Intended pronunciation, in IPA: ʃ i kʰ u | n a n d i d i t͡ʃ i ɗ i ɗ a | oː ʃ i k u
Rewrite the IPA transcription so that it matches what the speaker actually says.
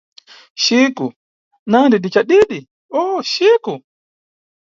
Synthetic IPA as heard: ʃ i k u | n a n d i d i t͡ʃ a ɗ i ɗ i | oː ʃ i k u